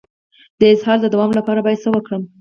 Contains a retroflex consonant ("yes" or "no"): yes